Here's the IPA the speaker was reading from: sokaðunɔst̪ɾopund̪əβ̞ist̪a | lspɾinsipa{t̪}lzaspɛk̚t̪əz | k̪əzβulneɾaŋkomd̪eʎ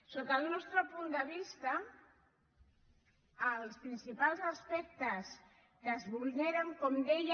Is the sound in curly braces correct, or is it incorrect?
incorrect